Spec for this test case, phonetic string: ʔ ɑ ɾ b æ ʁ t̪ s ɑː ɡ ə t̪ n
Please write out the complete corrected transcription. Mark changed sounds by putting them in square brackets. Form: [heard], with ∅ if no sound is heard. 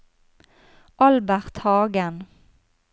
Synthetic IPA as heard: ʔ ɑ [l] b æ ʁ t̪ [h] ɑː ɡ ə [∅] n